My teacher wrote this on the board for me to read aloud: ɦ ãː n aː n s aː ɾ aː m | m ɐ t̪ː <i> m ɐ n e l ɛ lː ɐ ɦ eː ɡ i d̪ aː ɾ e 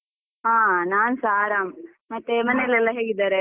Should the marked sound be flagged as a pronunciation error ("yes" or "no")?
yes